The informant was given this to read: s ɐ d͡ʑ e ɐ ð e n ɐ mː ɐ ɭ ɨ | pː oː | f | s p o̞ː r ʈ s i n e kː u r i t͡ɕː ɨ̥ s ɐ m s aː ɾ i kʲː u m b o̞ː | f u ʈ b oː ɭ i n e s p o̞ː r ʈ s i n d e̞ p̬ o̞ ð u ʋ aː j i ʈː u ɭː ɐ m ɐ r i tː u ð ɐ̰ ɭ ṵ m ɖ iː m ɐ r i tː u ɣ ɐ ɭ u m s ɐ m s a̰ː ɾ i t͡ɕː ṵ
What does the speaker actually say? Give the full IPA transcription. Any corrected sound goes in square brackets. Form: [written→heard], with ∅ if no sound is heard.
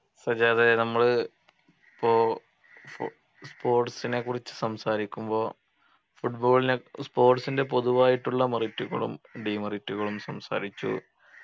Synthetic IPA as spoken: s ɐ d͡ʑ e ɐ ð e n ɐ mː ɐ ɭ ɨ | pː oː | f | s p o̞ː r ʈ s i n e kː u r i t͡ɕː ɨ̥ s ɐ m s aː ɾ i kʲː u m b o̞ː | f u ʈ b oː ɭ i n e s p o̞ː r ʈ s i n d e̞ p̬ o̞ ð u ʋ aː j i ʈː u ɭː ɐ m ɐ r i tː u [ð→ɣ] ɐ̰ ɭ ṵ m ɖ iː m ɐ r i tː u ɣ ɐ ɭ u m s ɐ m s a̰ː ɾ i t͡ɕː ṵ